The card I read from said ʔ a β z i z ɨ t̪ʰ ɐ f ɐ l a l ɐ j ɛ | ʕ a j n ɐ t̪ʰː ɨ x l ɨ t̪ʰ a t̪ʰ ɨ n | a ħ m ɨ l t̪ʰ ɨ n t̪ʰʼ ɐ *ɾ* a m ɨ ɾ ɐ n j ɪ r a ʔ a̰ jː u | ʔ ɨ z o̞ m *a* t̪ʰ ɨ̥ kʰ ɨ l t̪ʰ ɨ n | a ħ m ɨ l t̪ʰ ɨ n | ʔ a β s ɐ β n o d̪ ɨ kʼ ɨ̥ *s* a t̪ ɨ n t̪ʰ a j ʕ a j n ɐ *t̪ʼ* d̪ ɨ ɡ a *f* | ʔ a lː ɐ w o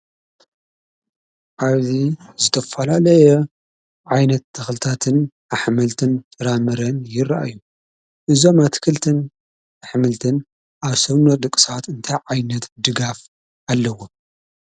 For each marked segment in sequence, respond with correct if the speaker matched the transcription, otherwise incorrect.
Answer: correct, correct, correct, incorrect: t̪, correct

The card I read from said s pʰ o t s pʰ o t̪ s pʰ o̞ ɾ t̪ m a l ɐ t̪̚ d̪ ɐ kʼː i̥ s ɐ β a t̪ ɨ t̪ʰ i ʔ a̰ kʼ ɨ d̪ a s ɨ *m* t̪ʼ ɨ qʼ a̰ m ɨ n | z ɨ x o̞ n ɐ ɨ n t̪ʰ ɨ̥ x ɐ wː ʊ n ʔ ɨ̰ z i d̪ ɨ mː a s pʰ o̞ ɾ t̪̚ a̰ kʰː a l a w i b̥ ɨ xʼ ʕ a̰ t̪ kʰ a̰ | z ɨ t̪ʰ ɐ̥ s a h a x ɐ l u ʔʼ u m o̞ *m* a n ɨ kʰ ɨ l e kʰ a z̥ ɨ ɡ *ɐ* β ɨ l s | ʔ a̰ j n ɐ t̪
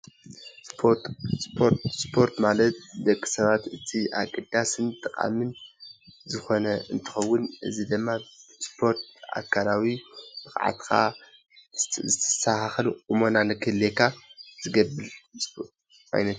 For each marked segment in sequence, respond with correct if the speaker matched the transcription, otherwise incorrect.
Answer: incorrect: n, incorrect: n, correct

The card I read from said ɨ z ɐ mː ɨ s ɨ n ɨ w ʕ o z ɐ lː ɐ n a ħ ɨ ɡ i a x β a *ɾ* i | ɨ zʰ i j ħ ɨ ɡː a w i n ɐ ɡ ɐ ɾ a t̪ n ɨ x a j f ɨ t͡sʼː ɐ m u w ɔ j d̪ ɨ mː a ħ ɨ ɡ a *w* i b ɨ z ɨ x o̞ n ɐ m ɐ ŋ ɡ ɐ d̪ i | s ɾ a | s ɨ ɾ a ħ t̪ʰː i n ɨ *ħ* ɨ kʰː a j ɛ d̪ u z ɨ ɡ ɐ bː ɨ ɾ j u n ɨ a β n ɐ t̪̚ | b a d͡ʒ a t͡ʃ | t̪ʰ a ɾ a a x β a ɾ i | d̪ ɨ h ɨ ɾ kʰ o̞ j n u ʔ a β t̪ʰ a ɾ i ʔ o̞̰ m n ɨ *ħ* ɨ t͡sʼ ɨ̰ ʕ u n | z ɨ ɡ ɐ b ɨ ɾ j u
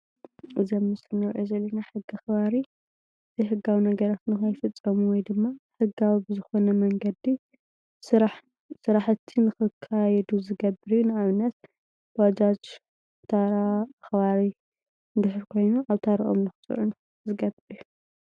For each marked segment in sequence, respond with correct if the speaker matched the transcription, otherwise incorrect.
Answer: correct, correct, incorrect: x, incorrect: x

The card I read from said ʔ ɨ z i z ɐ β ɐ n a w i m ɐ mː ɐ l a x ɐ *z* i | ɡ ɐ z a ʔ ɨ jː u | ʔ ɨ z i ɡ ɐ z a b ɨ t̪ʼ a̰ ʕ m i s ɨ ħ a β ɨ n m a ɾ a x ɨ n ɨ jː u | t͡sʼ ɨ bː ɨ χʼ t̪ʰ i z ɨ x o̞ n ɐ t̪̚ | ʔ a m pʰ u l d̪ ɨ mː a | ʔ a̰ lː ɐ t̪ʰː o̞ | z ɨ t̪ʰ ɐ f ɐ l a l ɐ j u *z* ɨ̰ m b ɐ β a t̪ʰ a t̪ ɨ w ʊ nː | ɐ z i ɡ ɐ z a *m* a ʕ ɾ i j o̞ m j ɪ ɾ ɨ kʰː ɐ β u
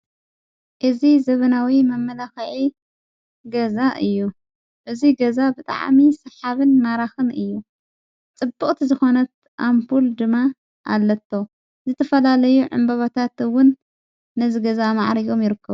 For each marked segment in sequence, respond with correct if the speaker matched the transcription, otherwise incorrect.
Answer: incorrect: ʕ, incorrect: ʕ, correct

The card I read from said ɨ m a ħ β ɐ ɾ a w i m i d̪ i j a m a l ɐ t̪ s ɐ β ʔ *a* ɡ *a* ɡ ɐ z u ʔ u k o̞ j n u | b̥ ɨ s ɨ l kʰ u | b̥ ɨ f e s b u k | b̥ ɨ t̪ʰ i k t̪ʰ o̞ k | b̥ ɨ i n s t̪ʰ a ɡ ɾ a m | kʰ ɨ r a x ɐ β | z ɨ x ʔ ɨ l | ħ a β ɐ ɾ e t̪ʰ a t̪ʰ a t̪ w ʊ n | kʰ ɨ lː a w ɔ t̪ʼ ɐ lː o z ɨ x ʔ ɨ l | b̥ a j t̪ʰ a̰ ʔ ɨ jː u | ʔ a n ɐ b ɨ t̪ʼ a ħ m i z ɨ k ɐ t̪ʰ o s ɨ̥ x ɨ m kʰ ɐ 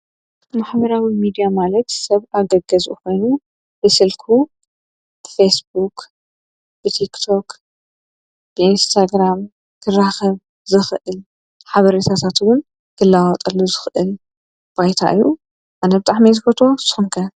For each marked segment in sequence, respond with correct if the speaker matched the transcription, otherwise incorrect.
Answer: correct, incorrect: ɐ

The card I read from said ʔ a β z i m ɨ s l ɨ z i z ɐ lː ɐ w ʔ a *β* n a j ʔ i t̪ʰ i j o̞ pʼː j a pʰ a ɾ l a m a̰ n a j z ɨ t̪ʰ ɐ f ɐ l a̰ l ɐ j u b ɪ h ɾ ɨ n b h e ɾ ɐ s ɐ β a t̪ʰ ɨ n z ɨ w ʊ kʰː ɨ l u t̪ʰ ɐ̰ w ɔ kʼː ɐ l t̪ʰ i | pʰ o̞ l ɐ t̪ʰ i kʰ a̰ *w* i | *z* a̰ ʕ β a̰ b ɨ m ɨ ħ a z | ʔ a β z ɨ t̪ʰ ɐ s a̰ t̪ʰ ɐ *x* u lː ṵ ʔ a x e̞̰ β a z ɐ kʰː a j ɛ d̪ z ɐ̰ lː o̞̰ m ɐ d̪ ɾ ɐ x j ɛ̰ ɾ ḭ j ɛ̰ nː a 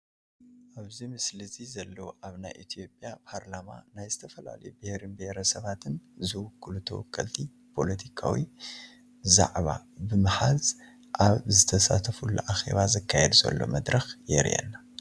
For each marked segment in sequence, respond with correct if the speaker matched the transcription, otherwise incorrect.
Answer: correct, correct, correct, incorrect: f

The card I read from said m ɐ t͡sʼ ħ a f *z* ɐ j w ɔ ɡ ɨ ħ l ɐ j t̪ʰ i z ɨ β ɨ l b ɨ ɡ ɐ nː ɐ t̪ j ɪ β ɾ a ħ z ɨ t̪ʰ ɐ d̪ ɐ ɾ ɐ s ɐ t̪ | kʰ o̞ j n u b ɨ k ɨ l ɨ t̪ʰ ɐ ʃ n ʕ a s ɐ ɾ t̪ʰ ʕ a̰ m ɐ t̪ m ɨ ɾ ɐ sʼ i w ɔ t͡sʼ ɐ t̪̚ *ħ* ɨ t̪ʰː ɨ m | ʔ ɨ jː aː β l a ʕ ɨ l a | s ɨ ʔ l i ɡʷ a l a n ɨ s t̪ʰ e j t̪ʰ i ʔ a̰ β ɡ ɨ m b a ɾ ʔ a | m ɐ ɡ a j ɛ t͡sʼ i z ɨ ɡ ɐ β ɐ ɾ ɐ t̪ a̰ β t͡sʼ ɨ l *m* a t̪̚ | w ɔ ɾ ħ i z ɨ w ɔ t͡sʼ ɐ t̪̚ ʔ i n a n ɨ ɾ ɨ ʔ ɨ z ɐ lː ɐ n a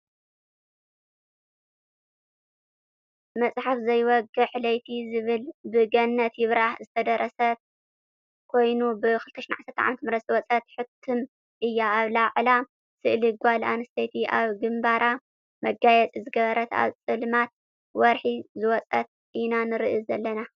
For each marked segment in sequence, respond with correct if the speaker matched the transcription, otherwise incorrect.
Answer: correct, correct, correct

